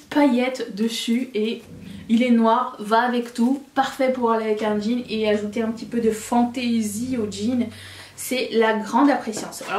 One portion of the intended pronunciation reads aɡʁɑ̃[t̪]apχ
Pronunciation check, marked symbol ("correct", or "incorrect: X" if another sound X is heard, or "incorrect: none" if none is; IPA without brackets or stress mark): incorrect: d̪